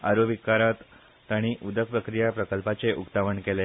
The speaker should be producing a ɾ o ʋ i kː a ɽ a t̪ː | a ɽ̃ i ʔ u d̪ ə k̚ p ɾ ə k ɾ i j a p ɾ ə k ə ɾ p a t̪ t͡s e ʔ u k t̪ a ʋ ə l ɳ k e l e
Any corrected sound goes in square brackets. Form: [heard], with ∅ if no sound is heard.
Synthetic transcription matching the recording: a ɾ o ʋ i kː a [ɾ] a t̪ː | a ɽ̃ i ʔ u d̪ ə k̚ p ɾ ə k ɾ i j a p ɾ ə k ə [l] p a [∅] t͡s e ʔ u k t̪ a ʋ ə [∅] ɳ k e l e